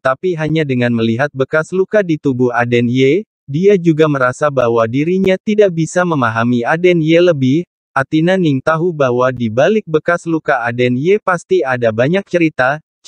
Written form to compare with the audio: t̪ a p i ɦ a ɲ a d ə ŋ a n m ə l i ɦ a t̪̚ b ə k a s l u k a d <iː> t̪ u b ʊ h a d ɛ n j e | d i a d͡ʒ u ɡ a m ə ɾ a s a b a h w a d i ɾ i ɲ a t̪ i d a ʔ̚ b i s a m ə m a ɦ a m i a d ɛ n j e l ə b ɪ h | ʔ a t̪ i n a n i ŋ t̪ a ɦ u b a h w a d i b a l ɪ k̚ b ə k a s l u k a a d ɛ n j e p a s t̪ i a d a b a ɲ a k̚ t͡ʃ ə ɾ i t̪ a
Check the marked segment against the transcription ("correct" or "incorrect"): incorrect